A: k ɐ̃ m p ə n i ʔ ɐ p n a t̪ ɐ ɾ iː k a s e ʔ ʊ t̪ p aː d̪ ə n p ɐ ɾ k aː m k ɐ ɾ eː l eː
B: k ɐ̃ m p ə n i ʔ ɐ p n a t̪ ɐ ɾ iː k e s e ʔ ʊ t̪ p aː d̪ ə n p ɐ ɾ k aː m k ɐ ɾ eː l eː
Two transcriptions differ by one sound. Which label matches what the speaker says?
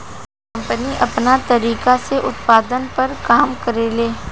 A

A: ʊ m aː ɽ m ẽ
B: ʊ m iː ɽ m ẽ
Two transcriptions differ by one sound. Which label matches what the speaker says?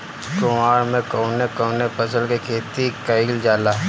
A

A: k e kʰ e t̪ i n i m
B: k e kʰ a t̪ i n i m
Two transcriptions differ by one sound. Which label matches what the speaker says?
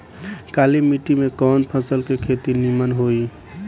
A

